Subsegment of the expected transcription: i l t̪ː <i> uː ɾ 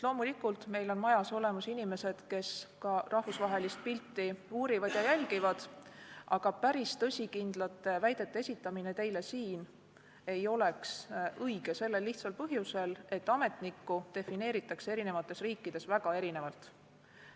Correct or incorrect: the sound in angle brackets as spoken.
correct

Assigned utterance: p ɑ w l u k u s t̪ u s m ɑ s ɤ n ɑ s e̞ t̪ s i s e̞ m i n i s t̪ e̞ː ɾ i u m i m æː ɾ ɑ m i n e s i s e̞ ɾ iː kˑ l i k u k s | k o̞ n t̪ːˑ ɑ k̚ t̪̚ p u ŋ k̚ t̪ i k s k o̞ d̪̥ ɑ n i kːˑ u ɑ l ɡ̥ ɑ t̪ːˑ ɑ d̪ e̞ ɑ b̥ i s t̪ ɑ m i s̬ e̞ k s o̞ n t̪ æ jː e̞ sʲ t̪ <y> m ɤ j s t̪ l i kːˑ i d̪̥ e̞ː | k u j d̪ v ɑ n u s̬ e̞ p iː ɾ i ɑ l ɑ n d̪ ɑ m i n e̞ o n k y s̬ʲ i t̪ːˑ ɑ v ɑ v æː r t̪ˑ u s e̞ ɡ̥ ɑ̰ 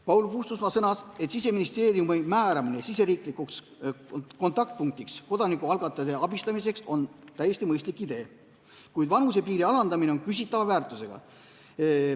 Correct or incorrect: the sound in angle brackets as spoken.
incorrect: i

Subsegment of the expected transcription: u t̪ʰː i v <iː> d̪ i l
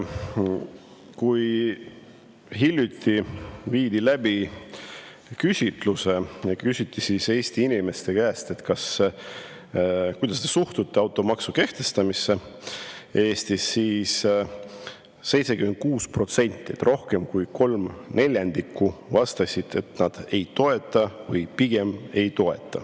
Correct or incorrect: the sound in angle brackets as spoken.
correct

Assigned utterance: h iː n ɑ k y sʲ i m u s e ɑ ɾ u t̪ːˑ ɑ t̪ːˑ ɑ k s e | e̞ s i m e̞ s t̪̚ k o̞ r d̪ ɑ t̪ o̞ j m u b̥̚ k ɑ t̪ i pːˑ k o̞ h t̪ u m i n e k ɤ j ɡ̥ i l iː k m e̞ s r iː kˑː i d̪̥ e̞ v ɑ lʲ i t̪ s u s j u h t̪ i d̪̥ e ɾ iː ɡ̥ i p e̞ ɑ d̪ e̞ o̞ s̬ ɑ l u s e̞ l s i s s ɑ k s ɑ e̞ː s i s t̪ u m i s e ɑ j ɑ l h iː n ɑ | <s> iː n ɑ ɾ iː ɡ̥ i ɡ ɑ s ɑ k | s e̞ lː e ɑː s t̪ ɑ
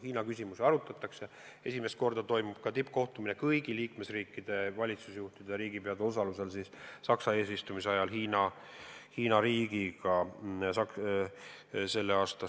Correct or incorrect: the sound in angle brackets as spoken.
incorrect: h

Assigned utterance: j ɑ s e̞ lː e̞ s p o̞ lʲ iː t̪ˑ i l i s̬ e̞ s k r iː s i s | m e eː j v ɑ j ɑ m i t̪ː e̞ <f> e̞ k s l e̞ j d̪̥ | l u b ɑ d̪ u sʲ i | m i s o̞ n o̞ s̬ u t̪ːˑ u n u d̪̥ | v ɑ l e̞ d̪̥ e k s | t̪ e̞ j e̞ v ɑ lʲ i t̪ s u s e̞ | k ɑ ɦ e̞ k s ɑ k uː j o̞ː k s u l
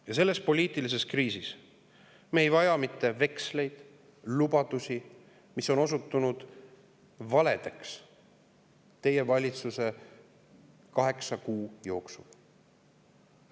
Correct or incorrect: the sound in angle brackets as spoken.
incorrect: v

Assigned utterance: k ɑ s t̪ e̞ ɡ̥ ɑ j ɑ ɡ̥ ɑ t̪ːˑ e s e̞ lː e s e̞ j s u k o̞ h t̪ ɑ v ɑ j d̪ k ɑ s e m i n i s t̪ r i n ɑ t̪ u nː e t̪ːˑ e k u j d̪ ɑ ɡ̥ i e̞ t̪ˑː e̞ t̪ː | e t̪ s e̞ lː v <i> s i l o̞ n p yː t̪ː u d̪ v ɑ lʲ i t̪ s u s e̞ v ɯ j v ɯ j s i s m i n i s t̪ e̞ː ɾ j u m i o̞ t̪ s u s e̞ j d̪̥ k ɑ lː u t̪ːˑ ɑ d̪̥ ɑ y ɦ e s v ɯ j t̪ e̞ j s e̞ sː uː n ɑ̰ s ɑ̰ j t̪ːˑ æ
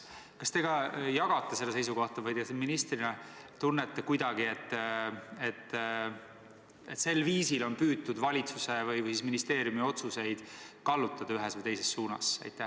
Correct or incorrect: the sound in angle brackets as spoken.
incorrect: iː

